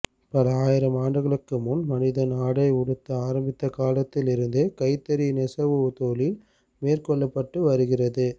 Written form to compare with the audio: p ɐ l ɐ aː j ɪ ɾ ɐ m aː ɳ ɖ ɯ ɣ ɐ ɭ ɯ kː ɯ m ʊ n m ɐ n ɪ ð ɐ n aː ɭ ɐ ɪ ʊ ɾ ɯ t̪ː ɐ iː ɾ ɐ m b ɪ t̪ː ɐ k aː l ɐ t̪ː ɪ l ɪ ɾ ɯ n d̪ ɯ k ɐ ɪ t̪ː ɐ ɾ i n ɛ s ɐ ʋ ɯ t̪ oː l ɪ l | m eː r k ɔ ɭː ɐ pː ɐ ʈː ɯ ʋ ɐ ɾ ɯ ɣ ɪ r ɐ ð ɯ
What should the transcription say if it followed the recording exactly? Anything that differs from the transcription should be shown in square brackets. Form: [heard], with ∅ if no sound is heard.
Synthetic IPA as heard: p ɐ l ɐ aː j ɪ ɾ ɐ m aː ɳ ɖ ɯ ɣ ɐ ɭ ɯ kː ɯ m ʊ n m ɐ n ɪ ð ɐ n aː [ɽ] ɐ ɪ ʊ [ɽ] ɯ t̪ː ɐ [aː] ɾ ɐ m b ɪ t̪ː ɐ k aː l ɐ t̪ː ɪ l ɪ ɾ ɯ n d̪ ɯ k ɐ ɪ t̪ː ɐ ɾ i n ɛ s ɐ ʋ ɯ t̪ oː l ɪ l | m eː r k ɔ ɭː ɐ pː ɐ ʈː ɯ ʋ ɐ ɾ ɯ ɣ ɪ r ɐ ð ɯ

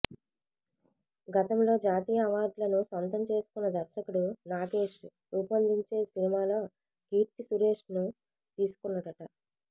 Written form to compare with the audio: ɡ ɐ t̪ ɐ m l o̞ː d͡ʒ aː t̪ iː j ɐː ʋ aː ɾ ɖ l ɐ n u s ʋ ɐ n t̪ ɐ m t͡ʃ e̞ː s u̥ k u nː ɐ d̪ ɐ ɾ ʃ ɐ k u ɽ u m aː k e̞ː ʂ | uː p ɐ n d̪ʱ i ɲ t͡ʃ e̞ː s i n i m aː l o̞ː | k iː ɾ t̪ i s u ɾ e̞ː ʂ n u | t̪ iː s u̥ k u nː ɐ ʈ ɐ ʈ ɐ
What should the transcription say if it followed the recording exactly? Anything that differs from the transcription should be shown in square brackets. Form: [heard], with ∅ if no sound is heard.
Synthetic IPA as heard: ɡ ɐ t̪ ɐ m l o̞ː d͡ʒ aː t̪ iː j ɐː ʋ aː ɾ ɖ l ɐ n u s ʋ ɐ n t̪ ɐ m t͡ʃ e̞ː s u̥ k u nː ɐ d̪ ɐ ɾ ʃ ɐ k u ɽ u [n] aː [ɡ] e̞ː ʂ | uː p ɐ n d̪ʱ i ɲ t͡ʃ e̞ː s i n i m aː l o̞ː | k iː ɾ t̪ i s u ɾ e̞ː ʂ n u | t̪ iː s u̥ k u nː ɐ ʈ ɐ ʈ ɐ

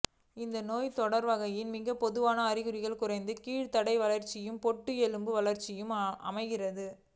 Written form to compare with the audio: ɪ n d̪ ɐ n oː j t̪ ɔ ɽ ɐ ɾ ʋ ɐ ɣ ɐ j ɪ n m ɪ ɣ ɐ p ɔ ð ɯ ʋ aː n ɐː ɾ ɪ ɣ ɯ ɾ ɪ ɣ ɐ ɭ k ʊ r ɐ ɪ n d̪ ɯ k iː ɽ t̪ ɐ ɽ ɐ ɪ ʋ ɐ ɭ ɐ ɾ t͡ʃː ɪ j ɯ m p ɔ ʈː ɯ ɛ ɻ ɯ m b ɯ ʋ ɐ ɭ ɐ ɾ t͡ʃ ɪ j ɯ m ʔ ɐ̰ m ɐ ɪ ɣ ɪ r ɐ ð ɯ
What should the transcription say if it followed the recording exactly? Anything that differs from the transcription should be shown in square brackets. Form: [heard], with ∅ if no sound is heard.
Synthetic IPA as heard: ɪ n d̪ ɐ n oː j t̪ ɔ ɽ ɐ ɾ ʋ ɐ ɣ ɐ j ɪ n m ɪ ɣ ɐ p ɔ ð ɯ ʋ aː n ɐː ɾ ɪ ɣ ɯ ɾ ɪ ɣ ɐ ɭ k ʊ r ɐ ɪ n d̪ ɯ k iː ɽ t̪ ɐ ɽ ɐ ɪ ʋ ɐ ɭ ɐ ɾ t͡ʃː ɪ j ɯ m p ɔ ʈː ɯ ɛ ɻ ɯ m b ɯ ʋ ɐ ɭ ɐ ɾ t͡ʃ ɪ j ɯ m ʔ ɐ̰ m ɐ ɪ ɣ ɪ r ɐ ð ɯ

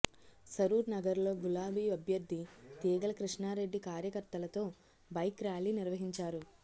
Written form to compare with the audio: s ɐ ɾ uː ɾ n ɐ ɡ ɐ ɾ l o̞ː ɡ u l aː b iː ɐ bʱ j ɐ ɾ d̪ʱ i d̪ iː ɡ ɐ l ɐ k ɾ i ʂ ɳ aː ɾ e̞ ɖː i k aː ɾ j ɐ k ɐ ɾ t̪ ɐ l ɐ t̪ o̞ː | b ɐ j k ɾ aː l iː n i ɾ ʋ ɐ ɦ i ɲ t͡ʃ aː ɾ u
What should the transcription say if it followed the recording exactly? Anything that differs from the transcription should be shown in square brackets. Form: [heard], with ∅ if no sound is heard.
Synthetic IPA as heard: s ɐ ɾ uː ɾ n ɐ ɡ ɐ ɾ l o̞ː ɡ u l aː b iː ɐ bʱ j ɐ ɾ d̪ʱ i [t̪] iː ɡ ɐ l ɐ k ɾ i ʂ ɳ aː ɾ e̞ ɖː i k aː ɾ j ɐ k ɐ ɾ t̪ ɐ l ɐ t̪ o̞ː | b ɐ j k ɾ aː l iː n i ɾ ʋ ɐ ɦ i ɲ t͡ʃ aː ɾ u

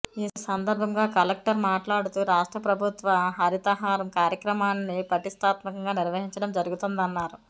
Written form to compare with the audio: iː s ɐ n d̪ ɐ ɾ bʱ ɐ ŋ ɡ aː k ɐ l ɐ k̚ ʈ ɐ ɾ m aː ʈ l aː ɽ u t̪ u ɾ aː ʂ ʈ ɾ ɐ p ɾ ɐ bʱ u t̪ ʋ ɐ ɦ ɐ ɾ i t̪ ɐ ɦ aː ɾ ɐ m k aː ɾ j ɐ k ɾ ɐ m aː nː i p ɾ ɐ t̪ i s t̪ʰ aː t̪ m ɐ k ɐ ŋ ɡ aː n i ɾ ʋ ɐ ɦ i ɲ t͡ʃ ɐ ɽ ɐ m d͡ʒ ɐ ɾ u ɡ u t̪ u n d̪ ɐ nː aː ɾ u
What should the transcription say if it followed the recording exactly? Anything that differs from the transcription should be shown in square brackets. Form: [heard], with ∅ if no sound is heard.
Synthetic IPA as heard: iː s ɐ n d̪ ɐ ɾ bʱ ɐ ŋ ɡ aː k ɐ l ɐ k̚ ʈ ɐ ɾ m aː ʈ l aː ɽ u t̪ u ɾ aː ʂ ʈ ɾ ɐ p ɾ ɐ bʱ u t̪ ʋ ɐ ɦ ɐ ɾ i t̪ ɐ ɦ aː ɾ ɐ m k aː ɾ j ɐ k ɾ ɐ m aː nː i p ɾ ɐ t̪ i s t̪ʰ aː t̪ m ɐ k ɐ ŋ ɡ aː n i ɾ ʋ ɐ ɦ i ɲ t͡ʃ ɐ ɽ ɐ m d͡ʒ ɐ ɾ u ɡ u t̪ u n d̪ ɐ nː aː ɾ u

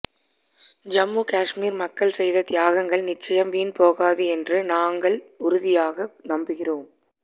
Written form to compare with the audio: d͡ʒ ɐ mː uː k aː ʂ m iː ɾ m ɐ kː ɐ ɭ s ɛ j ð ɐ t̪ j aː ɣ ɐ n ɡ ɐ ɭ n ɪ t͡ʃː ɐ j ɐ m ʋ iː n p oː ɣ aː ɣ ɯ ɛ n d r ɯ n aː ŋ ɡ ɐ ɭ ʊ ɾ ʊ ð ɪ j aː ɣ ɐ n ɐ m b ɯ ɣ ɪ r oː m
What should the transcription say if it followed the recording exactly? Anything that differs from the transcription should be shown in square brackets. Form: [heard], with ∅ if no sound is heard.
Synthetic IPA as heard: d͡ʒ ɐ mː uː k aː ʂ m iː ɾ m ɐ kː ɐ ɭ s ɛ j ð ɐ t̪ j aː ɣ ɐ [ŋ] ɡ ɐ ɭ n ɪ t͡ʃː ɐ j ɐ m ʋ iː n p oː ɣ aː [ð] ɯ ɛ n d r ɯ n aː ŋ ɡ ɐ ɭ ʊ ɾ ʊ ð ɪ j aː ɣ ɐ n ɐ m b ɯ ɣ ɪ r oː m

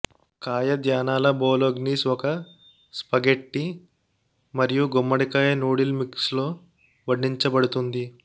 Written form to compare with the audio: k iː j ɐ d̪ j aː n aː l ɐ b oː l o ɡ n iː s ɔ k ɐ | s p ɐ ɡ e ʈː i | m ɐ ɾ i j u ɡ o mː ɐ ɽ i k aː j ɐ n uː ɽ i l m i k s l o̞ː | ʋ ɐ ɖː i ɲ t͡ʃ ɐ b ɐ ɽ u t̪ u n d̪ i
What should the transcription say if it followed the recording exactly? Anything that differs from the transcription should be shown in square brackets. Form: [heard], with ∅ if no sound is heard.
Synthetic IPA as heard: k [aː] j ɐ d̪ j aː n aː l ɐ b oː l o ɡ n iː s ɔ k ɐ | s p ɐ ɡ e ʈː i | m ɐ ɾ i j u ɡ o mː ɐ ɽ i k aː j ɐ n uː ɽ i l m i k s l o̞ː | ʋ ɐ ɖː i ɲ t͡ʃ ɐ b ɐ ɽ u t̪ u n d̪ i

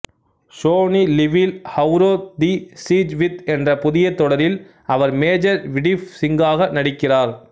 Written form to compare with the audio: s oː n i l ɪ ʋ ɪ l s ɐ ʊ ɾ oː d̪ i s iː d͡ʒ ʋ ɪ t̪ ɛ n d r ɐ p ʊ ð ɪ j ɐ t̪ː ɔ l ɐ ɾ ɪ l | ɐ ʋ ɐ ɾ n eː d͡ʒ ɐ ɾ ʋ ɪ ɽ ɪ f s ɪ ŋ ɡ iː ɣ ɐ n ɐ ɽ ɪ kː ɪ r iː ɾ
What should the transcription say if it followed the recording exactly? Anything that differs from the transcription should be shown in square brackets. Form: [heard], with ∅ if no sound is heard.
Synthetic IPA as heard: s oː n i l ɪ ʋ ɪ l [h] ɐ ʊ ɾ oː d̪ i s iː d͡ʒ ʋ ɪ t̪ ɛ n d r ɐ p ʊ ð ɪ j ɐ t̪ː ɔ [ɽ] ɐ ɾ ɪ l | ɐ ʋ ɐ ɾ [m] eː d͡ʒ ɐ ɾ ʋ ɪ ɽ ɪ f s ɪ ŋ ɡ [aː] ɣ ɐ n ɐ ɽ ɪ kː ɪ r [aː] ɾ

